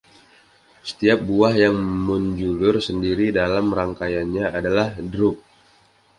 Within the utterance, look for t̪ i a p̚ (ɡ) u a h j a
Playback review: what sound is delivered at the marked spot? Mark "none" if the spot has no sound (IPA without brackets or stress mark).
b